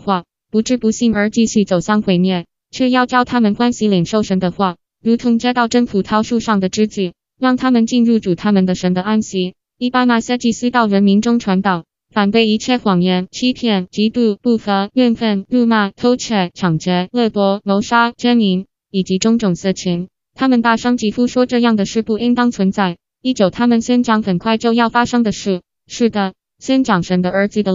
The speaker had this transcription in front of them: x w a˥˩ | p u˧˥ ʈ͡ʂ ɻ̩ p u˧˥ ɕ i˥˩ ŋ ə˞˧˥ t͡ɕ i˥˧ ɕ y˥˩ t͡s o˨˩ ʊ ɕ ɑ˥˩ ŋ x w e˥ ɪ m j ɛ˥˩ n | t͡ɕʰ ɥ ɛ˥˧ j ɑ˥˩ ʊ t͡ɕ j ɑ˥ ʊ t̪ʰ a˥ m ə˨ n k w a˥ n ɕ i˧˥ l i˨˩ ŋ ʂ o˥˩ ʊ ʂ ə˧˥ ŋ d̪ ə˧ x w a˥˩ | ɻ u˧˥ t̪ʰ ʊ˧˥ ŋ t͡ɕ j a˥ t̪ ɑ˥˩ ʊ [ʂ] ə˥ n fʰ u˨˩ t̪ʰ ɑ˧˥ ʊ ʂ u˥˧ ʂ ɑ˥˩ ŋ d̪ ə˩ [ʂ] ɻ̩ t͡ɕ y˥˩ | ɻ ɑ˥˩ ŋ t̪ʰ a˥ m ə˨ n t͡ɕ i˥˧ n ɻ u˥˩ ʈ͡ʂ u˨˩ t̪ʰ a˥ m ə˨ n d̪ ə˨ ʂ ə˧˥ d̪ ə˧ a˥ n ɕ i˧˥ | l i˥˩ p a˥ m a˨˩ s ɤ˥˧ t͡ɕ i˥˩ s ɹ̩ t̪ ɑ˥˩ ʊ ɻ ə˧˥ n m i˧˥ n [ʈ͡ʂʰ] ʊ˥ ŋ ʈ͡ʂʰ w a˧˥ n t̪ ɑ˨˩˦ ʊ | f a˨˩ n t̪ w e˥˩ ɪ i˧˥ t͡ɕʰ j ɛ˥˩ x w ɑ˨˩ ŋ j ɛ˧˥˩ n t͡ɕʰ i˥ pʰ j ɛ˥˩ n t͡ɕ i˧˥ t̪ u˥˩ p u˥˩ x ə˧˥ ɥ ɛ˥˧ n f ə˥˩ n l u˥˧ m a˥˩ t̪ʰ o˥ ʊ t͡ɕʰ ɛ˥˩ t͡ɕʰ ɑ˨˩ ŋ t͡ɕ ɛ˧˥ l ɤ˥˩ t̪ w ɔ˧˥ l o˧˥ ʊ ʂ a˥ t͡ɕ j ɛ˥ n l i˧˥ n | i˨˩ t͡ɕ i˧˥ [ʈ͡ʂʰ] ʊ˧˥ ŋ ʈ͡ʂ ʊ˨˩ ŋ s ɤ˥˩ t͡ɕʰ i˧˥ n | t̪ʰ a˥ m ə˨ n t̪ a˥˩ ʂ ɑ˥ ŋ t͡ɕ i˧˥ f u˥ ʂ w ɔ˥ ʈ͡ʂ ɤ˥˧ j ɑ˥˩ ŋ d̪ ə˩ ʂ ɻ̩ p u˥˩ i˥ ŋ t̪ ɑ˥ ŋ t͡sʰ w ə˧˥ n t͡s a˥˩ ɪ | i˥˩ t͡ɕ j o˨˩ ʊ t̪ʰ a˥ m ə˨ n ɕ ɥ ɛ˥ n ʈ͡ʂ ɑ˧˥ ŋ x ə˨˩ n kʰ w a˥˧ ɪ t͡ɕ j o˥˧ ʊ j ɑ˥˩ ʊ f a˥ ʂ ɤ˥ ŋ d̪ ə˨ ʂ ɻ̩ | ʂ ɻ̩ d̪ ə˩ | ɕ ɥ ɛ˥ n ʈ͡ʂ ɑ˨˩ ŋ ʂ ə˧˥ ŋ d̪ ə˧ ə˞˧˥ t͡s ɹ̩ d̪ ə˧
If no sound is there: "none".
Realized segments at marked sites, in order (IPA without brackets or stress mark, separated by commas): ʈ͡ʂ, ʈ͡ʂ, ʈ͡ʂ, ʈ͡ʂ